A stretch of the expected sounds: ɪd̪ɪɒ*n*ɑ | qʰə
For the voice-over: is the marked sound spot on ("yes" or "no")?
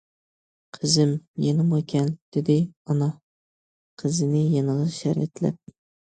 yes